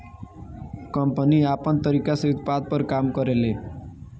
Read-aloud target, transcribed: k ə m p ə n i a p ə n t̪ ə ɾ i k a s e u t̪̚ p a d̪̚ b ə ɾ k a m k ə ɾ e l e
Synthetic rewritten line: k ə m p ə n i a p ə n t̪ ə ɾ i k a s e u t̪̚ p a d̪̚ p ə ɾ k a m k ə ɾ e l e